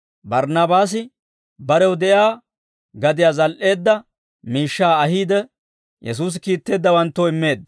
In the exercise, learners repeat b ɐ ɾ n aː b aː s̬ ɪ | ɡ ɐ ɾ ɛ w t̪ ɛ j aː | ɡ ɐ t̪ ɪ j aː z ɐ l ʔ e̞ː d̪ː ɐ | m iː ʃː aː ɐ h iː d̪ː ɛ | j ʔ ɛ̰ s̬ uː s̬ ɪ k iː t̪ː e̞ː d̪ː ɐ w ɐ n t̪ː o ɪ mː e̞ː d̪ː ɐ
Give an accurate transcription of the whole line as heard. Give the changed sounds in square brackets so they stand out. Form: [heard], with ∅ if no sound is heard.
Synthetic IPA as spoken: b ɐ ɾ n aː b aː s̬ ɪ | [b] ɐ ɾ ɛ w [d̪] ɛ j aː | ɡ ɐ [d̪] ɪ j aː z ɐ l ʔ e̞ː d̪ː ɐ | m iː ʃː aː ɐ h iː [d̪] ɛ | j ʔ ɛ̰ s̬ uː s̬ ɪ k iː t̪ː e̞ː d̪ː ɐ w ɐ n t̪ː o ɪ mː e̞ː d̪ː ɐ